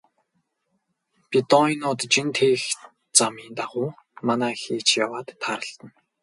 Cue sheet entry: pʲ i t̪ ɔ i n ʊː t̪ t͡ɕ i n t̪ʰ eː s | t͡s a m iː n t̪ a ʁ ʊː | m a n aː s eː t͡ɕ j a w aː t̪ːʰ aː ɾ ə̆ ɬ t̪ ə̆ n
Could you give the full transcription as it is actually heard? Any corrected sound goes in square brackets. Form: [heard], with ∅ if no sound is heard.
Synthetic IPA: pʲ i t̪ ɔ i n ʊː t̪ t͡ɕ i n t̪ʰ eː [x] | t͡s a m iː n t̪ a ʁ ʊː | m a n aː [x] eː t͡ɕ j a w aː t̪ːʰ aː ɾ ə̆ ɬ t̪ ə̆ n

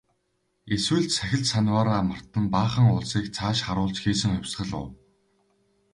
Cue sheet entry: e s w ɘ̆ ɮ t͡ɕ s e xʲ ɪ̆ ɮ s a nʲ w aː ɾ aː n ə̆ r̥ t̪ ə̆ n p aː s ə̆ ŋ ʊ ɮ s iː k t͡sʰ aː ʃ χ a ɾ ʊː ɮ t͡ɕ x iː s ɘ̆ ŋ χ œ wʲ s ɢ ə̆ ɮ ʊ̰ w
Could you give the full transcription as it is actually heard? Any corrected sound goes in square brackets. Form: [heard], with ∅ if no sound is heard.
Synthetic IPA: e s w ɘ̆ ɮ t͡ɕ s [æ] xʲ ɪ̆ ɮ s a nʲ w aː ɾ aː [m] ə̆ r̥ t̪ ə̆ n p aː [χ] ə̆ ŋ ʊ ɮ s iː k t͡sʰ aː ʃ χ a ɾ ʊː ɮ t͡ɕ x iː s ɘ̆ ŋ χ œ wʲ s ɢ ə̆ ɮ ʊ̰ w

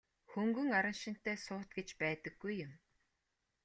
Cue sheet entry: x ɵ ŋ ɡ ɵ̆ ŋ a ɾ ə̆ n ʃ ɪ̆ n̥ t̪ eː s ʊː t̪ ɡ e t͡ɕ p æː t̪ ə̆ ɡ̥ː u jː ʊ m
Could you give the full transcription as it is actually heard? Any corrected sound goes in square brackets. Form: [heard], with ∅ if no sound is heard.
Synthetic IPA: x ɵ ŋ ɡ ɵ̆ ŋ a ɾ ə̆ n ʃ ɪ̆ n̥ t̪ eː s ʊː t̪ ɡ e t͡ɕ p æː t̪ ə̆ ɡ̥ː u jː ʊ m

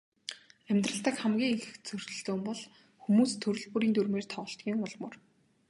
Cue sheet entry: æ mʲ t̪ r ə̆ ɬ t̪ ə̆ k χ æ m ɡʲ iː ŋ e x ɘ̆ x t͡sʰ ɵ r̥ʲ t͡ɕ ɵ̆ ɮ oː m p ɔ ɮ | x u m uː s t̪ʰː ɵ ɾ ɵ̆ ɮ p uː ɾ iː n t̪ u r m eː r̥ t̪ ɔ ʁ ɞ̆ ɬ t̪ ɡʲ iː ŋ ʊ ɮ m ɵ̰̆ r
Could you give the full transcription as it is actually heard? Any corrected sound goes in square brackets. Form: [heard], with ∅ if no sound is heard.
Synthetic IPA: æ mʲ t̪ r ə̆ ɬ t̪ ə̆ k χ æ m ɡʲ iː ŋ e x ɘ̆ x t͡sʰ ɵ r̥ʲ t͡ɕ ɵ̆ ɮ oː m p ɔ ɮ | x u m uː s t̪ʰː ɵ ɾ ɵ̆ ɮ p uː ɾ iː n t̪ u r m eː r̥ [t̪ʰ] ɔ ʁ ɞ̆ ɬ t̪ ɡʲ iː ŋ ʊ ɮ m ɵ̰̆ r

